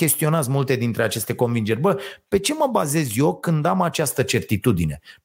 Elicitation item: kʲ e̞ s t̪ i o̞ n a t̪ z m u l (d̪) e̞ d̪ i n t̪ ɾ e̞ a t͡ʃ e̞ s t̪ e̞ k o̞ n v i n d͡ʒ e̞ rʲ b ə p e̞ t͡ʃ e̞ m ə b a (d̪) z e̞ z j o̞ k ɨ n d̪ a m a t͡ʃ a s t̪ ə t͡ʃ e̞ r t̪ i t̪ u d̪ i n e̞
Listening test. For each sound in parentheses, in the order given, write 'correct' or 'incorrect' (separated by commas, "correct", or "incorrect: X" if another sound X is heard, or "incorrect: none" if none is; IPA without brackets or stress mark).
incorrect: t̪, incorrect: none